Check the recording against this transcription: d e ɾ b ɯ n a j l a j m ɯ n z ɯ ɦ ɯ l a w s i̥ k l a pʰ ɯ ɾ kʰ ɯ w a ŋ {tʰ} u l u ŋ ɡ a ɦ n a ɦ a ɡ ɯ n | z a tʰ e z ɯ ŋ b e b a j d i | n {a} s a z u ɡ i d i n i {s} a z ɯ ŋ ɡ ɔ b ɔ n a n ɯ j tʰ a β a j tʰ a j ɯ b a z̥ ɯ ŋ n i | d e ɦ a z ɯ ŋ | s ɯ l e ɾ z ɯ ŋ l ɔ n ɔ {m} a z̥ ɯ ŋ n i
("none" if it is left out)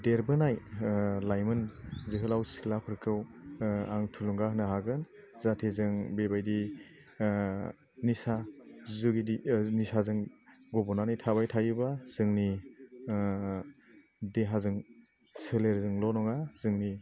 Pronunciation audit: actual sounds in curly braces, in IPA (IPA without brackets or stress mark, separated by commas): tʰ, i, s, ŋ